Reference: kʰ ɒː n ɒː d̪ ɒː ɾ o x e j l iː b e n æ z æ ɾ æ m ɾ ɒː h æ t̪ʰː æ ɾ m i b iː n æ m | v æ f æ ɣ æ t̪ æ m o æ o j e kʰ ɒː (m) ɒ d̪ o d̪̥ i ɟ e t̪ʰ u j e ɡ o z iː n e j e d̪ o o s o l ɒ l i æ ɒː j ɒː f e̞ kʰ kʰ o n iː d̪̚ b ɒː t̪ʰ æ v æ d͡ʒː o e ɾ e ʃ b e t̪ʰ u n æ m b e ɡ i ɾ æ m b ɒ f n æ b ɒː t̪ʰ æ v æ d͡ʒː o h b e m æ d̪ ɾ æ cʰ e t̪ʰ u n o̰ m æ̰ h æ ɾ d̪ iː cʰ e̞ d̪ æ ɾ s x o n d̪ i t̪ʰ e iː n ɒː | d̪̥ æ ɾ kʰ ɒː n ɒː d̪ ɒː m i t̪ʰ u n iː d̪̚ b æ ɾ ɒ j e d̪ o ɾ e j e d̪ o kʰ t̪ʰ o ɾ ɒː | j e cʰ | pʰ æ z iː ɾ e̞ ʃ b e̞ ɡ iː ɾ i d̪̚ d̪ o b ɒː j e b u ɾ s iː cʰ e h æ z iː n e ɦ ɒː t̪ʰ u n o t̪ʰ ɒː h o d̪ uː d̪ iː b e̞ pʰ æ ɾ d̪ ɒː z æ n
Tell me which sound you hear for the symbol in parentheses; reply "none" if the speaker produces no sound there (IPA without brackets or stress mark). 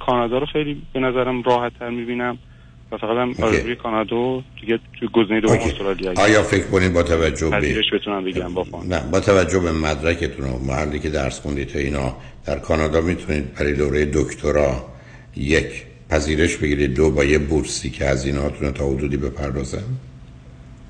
n